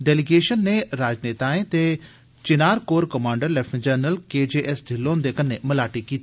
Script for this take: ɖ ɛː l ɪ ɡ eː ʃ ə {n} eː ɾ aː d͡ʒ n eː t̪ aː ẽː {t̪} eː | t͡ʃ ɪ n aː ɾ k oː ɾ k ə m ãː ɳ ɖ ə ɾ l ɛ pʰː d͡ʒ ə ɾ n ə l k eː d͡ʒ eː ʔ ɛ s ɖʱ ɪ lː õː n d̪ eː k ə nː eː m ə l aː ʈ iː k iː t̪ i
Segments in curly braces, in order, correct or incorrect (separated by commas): incorrect, correct